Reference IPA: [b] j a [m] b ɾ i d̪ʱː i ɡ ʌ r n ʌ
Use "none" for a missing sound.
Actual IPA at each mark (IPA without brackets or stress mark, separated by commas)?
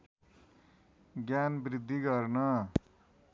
ɡ, n